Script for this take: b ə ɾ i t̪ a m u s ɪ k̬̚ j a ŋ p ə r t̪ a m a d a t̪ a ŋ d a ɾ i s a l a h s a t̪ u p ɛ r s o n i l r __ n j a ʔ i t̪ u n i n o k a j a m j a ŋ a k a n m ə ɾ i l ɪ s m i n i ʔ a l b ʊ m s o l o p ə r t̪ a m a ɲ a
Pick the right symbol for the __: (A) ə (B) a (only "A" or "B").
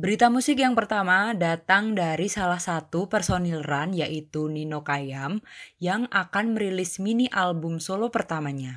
B